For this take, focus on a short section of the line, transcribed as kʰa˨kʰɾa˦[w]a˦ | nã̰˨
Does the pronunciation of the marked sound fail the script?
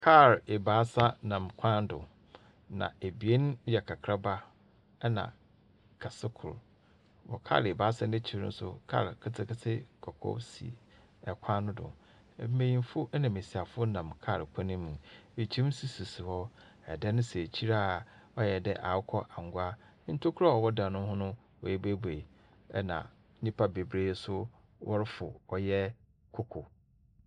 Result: yes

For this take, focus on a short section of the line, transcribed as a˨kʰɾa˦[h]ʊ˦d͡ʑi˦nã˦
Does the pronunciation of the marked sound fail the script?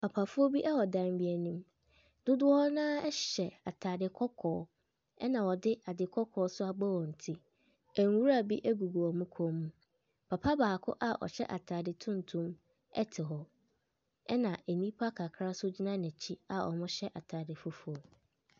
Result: yes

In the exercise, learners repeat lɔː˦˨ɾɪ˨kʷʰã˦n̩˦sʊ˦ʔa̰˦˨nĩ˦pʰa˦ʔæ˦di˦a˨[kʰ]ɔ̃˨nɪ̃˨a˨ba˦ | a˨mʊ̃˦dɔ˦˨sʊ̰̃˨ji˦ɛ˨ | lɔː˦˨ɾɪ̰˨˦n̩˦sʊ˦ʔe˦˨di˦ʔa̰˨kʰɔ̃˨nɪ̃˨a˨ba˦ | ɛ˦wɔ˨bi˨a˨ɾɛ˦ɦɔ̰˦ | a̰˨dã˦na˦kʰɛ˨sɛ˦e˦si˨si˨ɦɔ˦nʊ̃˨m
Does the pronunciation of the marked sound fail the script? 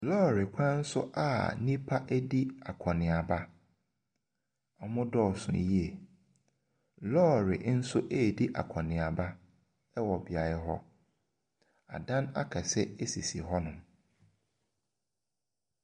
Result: no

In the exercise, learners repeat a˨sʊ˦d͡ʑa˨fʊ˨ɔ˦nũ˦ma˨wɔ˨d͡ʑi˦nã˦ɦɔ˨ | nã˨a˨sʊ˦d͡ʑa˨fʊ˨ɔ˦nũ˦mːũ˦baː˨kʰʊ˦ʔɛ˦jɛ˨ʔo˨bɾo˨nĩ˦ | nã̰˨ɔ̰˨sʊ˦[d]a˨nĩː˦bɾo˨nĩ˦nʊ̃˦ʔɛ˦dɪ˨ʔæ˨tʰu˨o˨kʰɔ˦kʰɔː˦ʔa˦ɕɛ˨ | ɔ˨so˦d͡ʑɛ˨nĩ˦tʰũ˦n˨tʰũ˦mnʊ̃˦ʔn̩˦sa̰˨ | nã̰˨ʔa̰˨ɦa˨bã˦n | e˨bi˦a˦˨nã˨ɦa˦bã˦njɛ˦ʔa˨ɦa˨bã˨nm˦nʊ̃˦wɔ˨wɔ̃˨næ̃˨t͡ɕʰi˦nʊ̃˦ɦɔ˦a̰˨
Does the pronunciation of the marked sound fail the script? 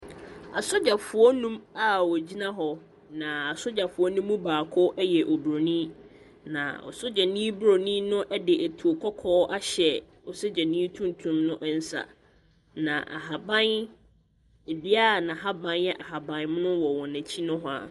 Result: yes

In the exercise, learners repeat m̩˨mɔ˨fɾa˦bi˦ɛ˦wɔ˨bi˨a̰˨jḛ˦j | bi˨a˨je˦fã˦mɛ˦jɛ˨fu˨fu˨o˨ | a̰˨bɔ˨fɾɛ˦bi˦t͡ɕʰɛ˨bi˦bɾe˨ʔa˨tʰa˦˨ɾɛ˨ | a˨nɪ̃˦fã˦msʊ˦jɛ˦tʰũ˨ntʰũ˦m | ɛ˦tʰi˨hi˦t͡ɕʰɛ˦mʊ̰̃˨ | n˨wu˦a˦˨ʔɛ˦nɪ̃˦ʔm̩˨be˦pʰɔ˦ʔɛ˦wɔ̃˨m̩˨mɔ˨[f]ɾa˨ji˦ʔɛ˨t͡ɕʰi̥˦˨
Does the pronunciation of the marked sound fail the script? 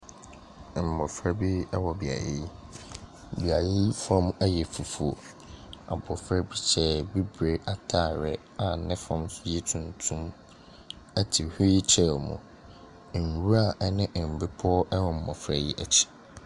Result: no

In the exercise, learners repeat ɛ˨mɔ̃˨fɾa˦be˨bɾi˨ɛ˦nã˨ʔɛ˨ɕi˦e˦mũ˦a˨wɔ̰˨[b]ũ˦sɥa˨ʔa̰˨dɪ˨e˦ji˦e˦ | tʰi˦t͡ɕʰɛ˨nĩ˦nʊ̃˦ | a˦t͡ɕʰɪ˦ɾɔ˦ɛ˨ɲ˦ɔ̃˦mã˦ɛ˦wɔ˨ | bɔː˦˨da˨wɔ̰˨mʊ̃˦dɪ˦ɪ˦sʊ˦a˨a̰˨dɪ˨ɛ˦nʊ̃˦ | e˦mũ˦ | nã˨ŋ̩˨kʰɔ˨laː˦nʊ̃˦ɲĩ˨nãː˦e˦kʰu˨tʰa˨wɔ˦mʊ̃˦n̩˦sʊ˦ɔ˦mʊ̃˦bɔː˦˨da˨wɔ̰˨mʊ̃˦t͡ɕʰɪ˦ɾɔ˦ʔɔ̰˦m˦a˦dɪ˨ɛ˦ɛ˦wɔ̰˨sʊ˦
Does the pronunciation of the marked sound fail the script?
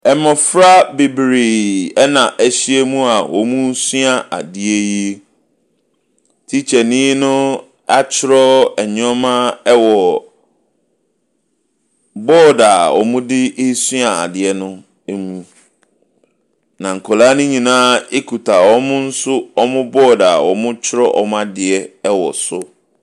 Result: yes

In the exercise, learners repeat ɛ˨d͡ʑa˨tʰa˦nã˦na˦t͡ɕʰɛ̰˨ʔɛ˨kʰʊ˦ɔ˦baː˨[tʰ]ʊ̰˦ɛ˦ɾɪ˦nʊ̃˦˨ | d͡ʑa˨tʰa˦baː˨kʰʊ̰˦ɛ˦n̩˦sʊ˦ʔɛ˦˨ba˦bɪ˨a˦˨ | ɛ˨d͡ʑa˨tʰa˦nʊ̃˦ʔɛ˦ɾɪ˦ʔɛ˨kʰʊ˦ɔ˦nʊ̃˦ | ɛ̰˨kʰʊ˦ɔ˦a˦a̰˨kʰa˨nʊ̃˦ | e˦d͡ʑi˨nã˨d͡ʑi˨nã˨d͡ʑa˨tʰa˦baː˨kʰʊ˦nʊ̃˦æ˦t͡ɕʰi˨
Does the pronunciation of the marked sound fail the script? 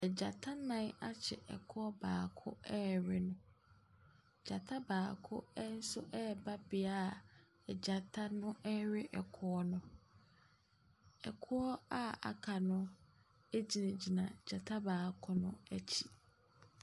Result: yes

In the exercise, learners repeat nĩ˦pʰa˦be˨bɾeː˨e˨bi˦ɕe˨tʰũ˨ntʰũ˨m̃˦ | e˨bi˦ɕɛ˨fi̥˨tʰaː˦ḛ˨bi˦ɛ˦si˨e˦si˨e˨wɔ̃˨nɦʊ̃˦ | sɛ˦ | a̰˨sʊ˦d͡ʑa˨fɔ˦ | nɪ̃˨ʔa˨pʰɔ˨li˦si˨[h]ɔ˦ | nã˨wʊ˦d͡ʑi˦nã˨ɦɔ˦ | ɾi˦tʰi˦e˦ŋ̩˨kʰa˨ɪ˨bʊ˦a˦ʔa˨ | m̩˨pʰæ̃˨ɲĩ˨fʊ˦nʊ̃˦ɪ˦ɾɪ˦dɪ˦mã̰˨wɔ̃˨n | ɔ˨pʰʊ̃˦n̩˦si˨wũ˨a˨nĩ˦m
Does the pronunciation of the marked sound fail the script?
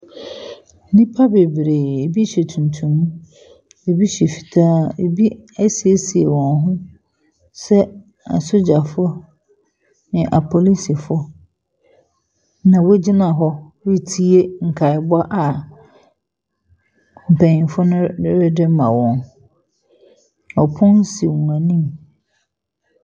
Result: yes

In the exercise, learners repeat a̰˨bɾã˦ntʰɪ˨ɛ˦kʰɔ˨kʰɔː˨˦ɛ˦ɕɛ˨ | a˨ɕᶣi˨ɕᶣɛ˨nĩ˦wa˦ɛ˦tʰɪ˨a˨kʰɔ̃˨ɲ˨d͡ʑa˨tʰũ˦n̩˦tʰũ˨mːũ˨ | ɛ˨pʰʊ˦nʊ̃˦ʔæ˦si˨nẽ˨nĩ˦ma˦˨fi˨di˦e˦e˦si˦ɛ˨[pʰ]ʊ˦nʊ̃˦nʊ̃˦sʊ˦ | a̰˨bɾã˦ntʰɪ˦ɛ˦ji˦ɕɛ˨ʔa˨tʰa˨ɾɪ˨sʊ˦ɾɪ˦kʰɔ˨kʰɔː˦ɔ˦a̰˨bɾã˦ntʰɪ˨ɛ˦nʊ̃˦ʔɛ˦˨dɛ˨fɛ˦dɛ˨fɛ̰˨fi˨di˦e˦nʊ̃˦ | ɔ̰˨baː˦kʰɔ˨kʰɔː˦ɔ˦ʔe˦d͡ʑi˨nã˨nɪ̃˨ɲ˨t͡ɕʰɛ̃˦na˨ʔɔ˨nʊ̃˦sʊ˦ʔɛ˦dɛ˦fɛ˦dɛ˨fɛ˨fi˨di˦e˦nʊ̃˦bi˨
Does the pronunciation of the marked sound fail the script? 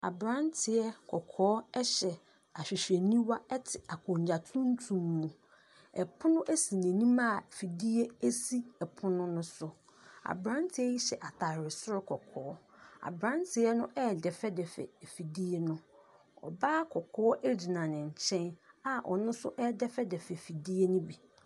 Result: no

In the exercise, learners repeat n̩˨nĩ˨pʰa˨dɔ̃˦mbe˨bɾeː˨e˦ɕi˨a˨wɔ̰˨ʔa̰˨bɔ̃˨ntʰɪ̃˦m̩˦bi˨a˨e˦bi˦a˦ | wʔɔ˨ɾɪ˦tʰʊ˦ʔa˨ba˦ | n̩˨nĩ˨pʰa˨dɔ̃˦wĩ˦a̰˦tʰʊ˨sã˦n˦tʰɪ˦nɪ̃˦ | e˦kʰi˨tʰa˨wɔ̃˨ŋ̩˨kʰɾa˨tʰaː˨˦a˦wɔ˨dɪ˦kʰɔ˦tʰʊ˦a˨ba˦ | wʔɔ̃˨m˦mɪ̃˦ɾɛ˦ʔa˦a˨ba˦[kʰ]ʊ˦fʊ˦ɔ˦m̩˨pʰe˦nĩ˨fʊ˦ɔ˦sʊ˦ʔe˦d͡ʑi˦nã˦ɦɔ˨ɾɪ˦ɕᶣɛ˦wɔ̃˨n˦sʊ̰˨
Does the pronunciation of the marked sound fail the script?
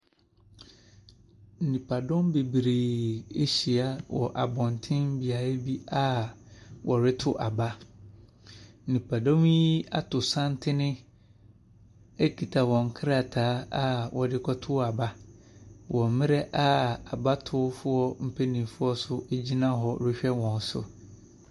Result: yes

